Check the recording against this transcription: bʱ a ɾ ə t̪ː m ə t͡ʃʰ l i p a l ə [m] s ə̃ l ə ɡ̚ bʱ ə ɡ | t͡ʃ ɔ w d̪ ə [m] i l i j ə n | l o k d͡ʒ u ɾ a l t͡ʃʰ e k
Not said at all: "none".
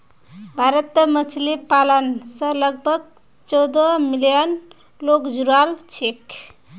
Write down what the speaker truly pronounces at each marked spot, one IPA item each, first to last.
n, m

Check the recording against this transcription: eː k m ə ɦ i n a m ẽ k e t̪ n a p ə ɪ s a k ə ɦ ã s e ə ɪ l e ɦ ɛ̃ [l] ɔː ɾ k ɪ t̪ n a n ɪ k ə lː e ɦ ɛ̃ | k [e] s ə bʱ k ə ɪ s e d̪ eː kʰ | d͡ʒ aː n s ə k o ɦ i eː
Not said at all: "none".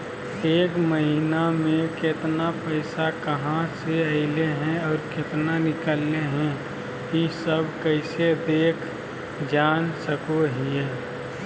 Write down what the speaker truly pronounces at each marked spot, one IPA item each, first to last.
none, i

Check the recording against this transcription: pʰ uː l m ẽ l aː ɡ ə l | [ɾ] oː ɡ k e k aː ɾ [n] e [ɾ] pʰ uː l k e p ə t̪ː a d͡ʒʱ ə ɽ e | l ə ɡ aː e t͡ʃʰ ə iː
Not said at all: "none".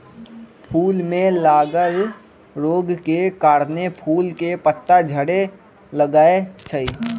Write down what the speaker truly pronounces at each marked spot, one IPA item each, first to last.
ɾ, n, none

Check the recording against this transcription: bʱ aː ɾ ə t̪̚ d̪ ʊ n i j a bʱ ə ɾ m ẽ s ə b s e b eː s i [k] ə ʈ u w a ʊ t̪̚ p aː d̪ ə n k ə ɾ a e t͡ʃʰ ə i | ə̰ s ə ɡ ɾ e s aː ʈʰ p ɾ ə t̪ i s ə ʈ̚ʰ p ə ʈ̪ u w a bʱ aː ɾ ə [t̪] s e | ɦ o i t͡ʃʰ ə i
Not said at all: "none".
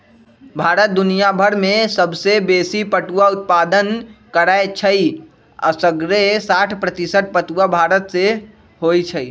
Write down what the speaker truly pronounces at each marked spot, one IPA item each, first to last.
p, t̪

